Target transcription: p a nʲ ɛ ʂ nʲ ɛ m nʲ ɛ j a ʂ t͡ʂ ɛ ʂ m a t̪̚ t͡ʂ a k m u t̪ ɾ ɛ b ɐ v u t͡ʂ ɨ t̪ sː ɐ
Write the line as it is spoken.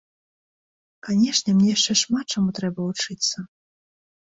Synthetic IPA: k a nʲ ɛ ʂ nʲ ɛ m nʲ ɛ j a ʂ t͡ʂ ɛ ʂ m a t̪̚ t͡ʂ a m u t̪ ɾ ɛ b ɐ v u t͡ʂ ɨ t̪ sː ɐ

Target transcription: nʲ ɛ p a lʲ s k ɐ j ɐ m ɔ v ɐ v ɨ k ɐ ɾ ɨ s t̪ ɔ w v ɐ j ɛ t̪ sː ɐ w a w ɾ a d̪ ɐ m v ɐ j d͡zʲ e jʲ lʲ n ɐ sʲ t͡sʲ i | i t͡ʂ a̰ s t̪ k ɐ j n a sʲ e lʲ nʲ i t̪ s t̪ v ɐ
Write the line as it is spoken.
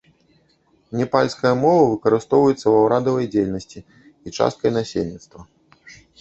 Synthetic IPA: nʲ ɛ p a lʲ s k ɐ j ɐ m ɔ v ɐ v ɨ k ɐ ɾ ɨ s t̪ ɔ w v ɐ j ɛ t̪ sː ɐ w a w ɾ a d̪ ɐ v ɐ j d͡zʲ e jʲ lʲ n ɐ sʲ t͡sʲ i | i t͡ʂ a̰ s t̪ k ɐ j n a sʲ e lʲ nʲ i t̪ s t̪ v ɐ

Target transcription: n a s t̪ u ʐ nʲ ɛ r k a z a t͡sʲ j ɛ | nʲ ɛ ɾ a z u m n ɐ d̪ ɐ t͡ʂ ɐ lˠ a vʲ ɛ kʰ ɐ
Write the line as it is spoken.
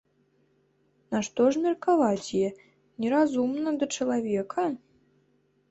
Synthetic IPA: n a ʂ t̪ ɔ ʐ mʲ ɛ r k a v a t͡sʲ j ɛ | nʲ ɛ ɾ a z u m n ɐ d̪ ɐ t͡ʂ ɐ lˠ a vʲ ɛ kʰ ɐ

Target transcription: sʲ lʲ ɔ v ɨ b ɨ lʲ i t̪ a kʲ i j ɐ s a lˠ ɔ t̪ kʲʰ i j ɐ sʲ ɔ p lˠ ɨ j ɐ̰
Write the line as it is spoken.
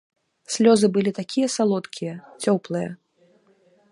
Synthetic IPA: sʲ lʲ ɔ z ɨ b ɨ lʲ i t̪ a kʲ i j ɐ s a lˠ ɔ t̪ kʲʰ i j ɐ t͡sʲ ɔ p lˠ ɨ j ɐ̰

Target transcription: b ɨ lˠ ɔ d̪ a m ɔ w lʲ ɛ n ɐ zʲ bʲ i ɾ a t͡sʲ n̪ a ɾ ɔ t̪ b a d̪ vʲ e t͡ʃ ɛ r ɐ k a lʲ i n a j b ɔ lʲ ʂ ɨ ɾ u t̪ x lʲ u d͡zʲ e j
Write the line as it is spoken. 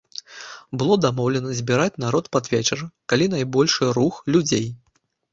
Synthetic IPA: b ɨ lˠ ɔ d̪ a m ɔ w lʲ ɛ n ɐ zʲ bʲ i ɾ a t͡sʲ n̪ a ɾ ɔ t̪ p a d̪ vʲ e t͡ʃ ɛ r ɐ k a lʲ i n a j b ɔ lʲ ʂ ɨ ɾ u x lʲ u d͡zʲ e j

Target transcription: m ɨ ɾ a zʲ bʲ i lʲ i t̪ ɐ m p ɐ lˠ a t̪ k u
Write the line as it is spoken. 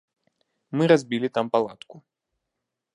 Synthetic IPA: m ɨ ɾ a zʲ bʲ i lʲ i t̪ a m p a lˠ a t̪ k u

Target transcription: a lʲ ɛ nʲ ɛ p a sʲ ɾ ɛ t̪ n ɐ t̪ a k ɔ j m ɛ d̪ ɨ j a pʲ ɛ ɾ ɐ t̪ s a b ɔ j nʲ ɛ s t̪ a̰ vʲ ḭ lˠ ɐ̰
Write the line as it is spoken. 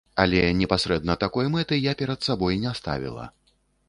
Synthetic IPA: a lʲ ɛ nʲ ɛ p a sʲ ɾ ɛ d̪ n ɐ t̪ a k ɔ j m ɛ t̪ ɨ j a pʲ ɛ ɾ ɐ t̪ s a b ɔ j nʲ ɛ s t̪ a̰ vʲ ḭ lˠ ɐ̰

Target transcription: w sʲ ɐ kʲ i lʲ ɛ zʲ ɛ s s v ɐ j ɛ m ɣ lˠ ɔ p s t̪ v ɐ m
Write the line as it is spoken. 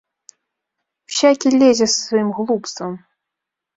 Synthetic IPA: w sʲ a kʲ i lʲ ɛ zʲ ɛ s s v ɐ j i m ɣ lˠ u p s t̪ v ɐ m

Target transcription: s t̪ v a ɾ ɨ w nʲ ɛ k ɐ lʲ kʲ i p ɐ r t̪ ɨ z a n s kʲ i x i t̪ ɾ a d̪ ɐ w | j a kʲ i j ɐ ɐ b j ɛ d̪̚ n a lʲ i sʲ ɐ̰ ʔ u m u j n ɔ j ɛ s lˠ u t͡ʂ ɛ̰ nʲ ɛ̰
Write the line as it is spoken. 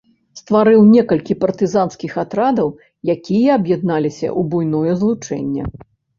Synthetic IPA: s t̪ v a ɾ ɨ w nʲ ɛ k ɐ lʲ kʲ i p ɐ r t̪ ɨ z a n s kʲ i x a t̪ ɾ a d̪ ɐ w | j a kʲ i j ɐ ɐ b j ɛ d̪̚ n a lʲ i sʲ ɐ̰ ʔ u b u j n ɔ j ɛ z lˠ u t͡ʂ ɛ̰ nʲː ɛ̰

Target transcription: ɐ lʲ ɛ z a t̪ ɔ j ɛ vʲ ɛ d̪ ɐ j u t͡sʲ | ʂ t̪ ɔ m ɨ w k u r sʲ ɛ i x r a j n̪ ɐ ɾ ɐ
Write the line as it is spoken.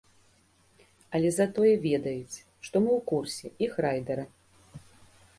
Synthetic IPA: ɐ lʲ ɛ z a t̪ ɔ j ɛ vʲ ɛ d̪ ɐ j u t͡sʲ | ʂ t̪ ɔ m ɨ w k u r sʲ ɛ i x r a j d̪ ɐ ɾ ɐ

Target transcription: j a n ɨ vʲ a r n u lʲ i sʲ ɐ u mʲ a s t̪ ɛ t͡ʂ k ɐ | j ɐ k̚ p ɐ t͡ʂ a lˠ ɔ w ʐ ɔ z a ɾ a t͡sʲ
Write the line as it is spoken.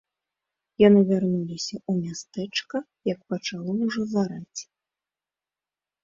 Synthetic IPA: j a n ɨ vʲ a r n u lʲ i sʲ ɐ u mʲ a s t̪ ɛ t͡ʂ k ɐ | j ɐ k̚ p ɐ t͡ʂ a lˠ ɔ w ʐ ɔ z a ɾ a t͡sʲ

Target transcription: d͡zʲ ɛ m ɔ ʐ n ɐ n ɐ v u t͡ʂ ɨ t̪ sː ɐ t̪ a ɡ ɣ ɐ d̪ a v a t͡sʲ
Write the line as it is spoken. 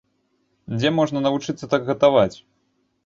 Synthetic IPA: d͡zʲ ɛ m ɔ ʐ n ɐ n ɐ v u t͡ʂ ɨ t̪ sː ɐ t̪ a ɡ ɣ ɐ t̪ a v a t͡sʲ

